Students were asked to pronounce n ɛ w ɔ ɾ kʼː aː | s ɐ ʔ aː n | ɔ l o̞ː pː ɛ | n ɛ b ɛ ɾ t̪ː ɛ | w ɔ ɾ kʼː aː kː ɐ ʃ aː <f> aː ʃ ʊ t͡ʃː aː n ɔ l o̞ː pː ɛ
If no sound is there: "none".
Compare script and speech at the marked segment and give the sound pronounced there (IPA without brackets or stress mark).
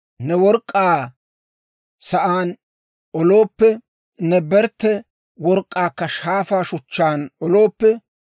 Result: f